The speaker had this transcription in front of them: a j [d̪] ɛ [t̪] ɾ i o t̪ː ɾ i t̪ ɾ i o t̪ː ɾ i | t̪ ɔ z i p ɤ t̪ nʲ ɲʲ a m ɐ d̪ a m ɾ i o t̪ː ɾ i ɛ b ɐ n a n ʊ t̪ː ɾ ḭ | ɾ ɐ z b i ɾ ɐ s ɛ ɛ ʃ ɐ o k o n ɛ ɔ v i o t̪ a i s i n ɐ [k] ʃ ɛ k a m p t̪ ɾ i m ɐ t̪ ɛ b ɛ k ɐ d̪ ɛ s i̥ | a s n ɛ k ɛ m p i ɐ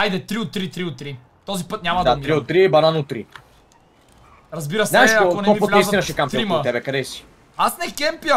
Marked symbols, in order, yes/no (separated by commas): yes, yes, no